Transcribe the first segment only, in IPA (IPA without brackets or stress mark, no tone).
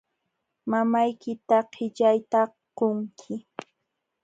m